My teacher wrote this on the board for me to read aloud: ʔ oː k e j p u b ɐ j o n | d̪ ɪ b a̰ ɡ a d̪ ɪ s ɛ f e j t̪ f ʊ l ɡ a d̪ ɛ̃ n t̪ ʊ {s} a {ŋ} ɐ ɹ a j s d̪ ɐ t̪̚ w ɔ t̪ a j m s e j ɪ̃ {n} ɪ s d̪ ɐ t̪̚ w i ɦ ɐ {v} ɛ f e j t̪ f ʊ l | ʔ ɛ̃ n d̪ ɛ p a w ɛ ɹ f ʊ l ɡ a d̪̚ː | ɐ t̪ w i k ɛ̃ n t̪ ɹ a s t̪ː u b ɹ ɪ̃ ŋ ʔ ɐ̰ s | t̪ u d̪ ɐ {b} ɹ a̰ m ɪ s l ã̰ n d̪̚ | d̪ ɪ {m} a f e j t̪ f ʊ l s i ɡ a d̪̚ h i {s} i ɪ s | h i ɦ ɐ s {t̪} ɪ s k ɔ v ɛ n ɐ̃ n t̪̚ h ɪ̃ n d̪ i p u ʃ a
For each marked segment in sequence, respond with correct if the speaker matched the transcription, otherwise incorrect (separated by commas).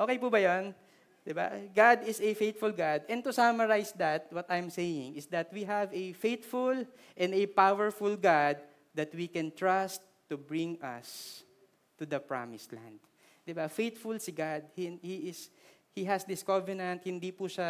correct, incorrect, incorrect, correct, incorrect, incorrect, incorrect, incorrect